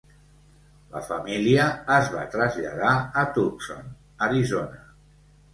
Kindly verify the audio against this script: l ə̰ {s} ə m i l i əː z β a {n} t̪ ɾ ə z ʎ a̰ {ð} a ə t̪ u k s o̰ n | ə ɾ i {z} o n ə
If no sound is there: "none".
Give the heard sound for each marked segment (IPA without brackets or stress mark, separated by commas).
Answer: f, none, ð, z